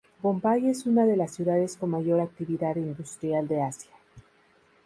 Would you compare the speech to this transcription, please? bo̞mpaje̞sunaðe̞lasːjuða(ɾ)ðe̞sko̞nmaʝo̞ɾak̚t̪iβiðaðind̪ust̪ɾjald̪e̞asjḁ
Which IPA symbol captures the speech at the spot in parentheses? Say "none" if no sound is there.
none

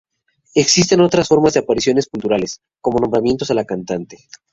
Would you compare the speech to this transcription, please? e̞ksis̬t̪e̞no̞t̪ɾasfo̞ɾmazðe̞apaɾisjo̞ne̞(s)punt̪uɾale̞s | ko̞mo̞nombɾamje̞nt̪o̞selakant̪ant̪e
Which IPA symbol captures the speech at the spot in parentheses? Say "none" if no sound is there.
s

